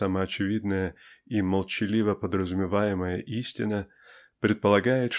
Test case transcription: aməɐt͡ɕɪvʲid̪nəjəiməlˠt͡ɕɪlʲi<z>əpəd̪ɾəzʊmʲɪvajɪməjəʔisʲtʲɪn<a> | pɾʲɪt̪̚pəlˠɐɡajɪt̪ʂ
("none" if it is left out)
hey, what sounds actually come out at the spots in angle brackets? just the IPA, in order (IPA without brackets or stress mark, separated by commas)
v, ə